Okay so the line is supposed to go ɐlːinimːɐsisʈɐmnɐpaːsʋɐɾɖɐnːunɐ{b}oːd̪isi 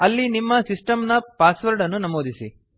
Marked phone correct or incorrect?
incorrect